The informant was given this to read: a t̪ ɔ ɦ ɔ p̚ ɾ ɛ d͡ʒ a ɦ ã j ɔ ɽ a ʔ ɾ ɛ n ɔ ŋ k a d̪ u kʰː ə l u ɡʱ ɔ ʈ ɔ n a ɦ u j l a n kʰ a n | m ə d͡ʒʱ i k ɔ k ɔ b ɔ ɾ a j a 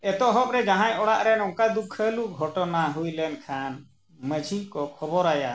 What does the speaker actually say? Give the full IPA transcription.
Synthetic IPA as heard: ɛ t̪ ɔ ɦ ɔ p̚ ɾ ɛ d͡ʒ a ɦ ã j ɔ ɽ a ʔ ɾ ɛ n ɔ ŋ k a d̪ u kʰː ə l u ɡʱ ɔ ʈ ɔ n a ɦ u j l ɛ n kʰ a n | m ə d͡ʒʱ i k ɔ kʰ ɔ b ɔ ɾ a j a